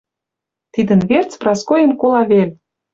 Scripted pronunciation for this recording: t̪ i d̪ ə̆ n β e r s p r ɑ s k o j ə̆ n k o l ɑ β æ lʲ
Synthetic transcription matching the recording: t̪ i d̪ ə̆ n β e r t͡s p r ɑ s k o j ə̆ n k o l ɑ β e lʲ